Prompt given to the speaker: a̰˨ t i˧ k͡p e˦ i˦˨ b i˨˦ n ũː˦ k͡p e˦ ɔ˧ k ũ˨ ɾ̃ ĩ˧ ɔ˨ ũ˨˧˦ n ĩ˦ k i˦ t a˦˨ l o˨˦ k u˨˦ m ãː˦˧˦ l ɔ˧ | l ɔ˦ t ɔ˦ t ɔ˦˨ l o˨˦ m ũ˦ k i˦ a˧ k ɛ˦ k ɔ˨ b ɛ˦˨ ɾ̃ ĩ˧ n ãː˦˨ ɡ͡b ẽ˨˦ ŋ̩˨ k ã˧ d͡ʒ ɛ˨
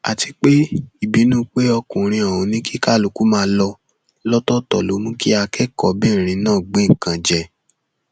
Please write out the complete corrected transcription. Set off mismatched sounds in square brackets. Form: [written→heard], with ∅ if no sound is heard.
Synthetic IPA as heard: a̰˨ t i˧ k͡p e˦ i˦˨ b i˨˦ n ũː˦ k͡p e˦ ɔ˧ k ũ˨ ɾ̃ ĩ˧ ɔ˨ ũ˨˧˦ n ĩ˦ k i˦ [t→k] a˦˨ l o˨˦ k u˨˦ m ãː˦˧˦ l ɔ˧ | l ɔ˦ t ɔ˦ t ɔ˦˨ l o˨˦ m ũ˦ k i˦ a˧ k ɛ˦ k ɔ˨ b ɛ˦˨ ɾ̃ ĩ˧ n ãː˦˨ ɡ͡b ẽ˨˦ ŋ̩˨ k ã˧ d͡ʒ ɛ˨